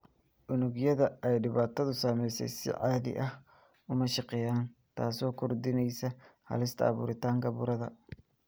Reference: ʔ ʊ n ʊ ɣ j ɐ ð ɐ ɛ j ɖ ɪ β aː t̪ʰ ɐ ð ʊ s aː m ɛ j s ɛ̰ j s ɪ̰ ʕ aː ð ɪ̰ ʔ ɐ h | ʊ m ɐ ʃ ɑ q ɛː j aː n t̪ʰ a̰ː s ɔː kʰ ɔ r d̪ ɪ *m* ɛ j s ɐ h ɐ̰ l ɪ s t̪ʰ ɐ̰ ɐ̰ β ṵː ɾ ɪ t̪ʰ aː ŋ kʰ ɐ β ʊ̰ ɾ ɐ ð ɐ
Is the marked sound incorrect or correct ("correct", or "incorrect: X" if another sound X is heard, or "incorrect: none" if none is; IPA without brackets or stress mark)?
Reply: incorrect: n